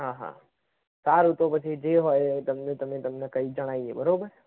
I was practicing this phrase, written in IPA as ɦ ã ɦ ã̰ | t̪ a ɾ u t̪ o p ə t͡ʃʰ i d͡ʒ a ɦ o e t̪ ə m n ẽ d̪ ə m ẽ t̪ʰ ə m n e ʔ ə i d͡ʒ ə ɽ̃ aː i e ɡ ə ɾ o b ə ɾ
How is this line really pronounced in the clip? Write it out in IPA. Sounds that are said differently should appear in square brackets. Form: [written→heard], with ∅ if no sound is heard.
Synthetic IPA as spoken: ɦ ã ɦ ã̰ | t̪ a ɾ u t̪ o p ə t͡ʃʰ i d͡ʒ [a→e] ɦ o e t̪ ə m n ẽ [d̪→t̪] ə m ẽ [t̪ʰ→t̪] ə m n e [ʔ→k] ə i d͡ʒ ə ɽ̃ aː i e [ɡ→b] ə ɾ o b ə ɾ